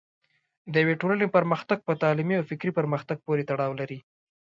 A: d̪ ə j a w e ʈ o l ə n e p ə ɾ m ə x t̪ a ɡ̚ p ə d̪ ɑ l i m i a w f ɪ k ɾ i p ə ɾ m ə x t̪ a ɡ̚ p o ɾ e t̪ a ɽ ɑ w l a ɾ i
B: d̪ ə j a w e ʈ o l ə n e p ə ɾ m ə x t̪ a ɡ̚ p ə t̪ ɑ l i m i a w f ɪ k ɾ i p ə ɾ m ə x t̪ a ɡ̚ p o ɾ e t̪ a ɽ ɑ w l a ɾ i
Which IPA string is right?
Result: B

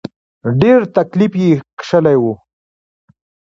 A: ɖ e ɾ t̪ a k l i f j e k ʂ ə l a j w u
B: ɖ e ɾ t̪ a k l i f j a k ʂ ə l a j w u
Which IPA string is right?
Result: A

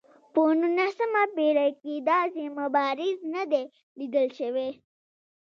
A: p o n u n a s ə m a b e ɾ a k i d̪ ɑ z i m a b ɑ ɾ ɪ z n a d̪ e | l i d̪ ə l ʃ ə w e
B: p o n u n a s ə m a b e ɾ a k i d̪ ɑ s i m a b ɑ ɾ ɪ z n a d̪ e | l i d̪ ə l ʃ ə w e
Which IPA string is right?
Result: A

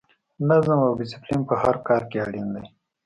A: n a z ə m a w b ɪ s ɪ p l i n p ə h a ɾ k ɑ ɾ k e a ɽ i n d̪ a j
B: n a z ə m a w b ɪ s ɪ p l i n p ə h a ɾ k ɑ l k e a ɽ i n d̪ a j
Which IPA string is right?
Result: A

